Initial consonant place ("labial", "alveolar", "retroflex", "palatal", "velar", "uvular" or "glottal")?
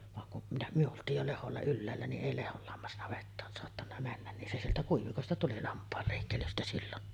labial